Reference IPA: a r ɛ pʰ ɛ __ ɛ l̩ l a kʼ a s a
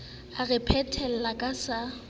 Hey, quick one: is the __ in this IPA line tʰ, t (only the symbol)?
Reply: tʰ